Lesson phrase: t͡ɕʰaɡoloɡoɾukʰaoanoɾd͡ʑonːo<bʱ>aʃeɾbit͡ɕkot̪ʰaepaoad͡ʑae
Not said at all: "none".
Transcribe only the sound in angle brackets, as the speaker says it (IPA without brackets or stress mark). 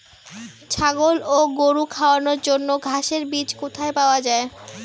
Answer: ɡʱ